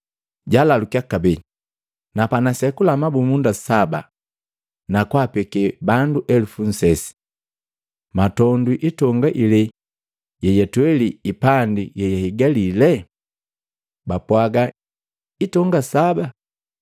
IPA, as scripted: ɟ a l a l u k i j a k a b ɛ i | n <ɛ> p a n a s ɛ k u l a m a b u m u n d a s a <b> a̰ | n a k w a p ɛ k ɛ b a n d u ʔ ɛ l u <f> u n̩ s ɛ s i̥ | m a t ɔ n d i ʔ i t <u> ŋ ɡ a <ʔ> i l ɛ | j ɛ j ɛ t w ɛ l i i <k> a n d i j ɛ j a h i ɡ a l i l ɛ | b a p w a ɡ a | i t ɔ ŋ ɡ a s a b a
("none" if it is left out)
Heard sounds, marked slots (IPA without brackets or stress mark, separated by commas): a, b, f, ɔ, ʔ, p